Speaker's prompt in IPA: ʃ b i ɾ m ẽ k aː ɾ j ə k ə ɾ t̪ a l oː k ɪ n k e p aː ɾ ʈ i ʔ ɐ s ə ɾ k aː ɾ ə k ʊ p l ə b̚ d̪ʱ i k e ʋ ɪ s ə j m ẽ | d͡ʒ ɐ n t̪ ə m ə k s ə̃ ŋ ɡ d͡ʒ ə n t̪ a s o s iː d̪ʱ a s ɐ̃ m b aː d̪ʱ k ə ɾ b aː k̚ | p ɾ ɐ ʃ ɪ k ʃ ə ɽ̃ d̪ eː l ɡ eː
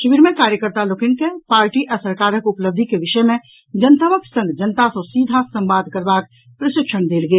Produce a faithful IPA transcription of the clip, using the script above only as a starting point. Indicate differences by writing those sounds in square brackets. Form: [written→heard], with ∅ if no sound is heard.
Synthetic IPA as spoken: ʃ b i ɾ m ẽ k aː ɾ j ə k ə ɾ t̪ a l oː k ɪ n k e p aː ɾ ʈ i ʔ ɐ s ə ɾ k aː ɾ ə k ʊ p l ə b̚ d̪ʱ i k e ʋ ɪ [s→ʃ] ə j m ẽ | d͡ʒ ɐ n t̪ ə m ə k s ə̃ ŋ ɡ d͡ʒ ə n t̪ a s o s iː d̪ʱ a s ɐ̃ m b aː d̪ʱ k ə ɾ b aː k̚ | p ɾ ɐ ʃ ɪ k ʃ ə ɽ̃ d̪ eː l ɡ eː

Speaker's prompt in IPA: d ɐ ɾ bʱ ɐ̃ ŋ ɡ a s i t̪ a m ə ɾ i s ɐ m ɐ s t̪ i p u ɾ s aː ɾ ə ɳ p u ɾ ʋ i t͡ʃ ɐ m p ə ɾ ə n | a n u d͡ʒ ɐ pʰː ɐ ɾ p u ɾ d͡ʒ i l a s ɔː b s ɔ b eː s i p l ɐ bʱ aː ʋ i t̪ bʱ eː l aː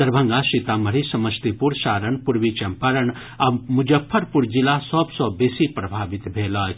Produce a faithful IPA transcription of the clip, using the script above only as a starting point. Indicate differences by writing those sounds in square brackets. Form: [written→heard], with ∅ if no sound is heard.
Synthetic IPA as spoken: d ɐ ɾ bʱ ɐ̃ ŋ ɡ a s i t̪ a m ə ɾ i s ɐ m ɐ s t̪ i p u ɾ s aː ɾ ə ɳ p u ɾ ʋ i t͡ʃ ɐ m p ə ɾ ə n | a [n→m] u d͡ʒ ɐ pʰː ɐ ɾ p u ɾ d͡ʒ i l a s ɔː b s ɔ b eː s i p [l→ɾ] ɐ bʱ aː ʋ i t̪ bʱ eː l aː

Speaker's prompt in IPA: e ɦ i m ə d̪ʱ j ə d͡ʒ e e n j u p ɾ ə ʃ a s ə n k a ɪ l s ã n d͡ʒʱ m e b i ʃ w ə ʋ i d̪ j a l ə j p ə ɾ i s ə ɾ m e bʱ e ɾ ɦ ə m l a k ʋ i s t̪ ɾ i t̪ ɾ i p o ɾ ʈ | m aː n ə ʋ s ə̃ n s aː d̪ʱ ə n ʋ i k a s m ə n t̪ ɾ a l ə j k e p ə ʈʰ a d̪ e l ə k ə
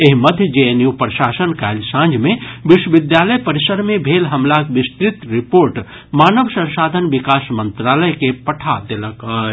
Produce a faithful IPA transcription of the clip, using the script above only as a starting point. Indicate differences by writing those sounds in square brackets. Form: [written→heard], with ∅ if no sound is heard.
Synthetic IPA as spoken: e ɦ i m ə d̪ʱ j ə d͡ʒ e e n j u p ɾ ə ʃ a s ə n k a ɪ l s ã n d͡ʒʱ m e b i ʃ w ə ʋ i d̪ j a l ə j p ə ɾ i s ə ɾ m e bʱ e [ɾ→l] ɦ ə m l a k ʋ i s t̪ ɾ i t̪ ɾ i p o ɾ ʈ | m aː n ə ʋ s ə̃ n s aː d̪ʱ ə n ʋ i k a s m ə n t̪ ɾ a l ə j k e p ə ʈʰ a d̪ e l ə k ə

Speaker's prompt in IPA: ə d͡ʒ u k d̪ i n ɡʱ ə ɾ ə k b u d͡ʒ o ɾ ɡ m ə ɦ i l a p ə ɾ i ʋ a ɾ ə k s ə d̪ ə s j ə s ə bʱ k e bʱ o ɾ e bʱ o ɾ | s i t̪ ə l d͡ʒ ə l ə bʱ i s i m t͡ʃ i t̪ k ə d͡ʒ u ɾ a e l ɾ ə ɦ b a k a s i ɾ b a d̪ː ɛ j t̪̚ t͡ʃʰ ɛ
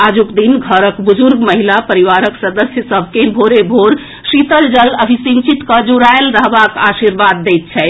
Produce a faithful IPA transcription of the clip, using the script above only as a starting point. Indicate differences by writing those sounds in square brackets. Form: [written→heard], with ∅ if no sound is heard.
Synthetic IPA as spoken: [ə→a] d͡ʒ u k d̪ i n ɡʱ ə ɾ ə k b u d͡ʒ [o→u] ɾ ɡ m ə ɦ i l a p ə ɾ i ʋ a ɾ ə k s ə d̪ ə s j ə s ə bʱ k e bʱ o ɾ e bʱ o ɾ | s i t̪ ə l d͡ʒ ə l ə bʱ i s i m t͡ʃ i t̪ k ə d͡ʒ u ɾ a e l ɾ ə ɦ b a k a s i ɾ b a d̪ː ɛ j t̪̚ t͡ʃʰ ɛ

